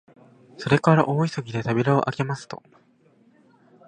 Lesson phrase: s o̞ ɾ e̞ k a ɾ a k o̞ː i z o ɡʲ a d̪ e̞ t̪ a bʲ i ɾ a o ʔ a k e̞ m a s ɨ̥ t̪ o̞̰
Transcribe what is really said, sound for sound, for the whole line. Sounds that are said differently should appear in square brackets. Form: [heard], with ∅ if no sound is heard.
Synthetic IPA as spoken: s o̞ ɾ e̞ k a ɾ a [ʔ] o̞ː i [s] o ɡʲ [i] d̪ e̞ t̪ a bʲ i ɾ a o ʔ a k e̞ m a s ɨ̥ t̪ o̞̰

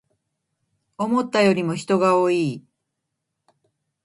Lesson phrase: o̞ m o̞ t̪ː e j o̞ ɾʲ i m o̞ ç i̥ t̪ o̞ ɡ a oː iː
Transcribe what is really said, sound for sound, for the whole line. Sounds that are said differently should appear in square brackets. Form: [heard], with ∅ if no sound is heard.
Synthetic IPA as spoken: o̞ m o̞ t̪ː [a] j o̞ ɾʲ i m o̞ ç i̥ t̪ o̞ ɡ a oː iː

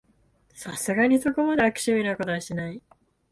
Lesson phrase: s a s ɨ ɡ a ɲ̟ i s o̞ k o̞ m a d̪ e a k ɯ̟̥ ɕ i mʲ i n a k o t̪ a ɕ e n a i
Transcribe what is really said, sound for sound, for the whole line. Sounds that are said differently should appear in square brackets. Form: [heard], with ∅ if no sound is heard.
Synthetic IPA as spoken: s a s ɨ ɡ a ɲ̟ i s o̞ k o̞ m a d̪ e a k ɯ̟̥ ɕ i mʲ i n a k o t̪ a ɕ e n a i

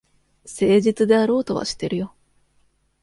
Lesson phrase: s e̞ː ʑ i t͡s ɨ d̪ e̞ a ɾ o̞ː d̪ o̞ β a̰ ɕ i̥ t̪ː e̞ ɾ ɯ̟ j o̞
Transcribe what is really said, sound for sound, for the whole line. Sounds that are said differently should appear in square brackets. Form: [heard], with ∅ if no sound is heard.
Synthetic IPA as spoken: s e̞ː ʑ i t͡s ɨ d̪ e̞ a ɾ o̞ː [t̪] o̞ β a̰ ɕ i̥ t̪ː e̞ ɾ ɯ̟ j o̞

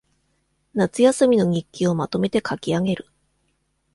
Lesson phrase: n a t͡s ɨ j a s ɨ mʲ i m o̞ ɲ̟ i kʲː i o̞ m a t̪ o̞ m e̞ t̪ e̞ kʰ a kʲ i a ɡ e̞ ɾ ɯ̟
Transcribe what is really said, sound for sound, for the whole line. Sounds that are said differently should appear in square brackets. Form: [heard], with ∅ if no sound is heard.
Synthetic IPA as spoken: n a t͡s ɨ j a s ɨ mʲ i [n] o̞ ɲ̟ i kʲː i o̞ m a t̪ o̞ m e̞ t̪ e̞ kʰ a kʲ i a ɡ e̞ ɾ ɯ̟

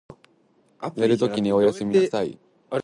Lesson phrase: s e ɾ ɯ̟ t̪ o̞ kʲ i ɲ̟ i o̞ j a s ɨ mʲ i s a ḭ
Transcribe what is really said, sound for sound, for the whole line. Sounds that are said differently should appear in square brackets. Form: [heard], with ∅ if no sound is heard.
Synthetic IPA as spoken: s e ɾ ɯ̟ t̪ o̞ kʲ i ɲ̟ i o̞ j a s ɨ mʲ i s a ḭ

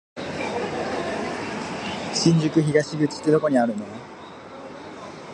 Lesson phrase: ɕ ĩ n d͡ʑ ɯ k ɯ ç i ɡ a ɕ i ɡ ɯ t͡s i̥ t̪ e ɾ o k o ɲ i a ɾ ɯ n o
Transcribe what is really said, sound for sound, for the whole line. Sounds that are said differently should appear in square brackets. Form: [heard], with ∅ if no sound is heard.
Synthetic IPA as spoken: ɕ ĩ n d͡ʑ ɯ k ɯ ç i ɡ a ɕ i ɡ ɯ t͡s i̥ t̪ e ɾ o k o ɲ i a ɾ ɯ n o

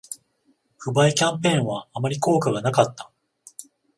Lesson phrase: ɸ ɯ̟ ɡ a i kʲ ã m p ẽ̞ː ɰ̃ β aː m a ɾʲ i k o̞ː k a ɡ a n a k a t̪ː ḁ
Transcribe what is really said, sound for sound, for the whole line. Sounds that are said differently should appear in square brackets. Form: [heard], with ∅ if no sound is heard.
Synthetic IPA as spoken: ɸ ɯ̟ [b] a i kʲ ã m p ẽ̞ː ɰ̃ β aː m a ɾʲ i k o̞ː k a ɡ a n a k a t̪ː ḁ

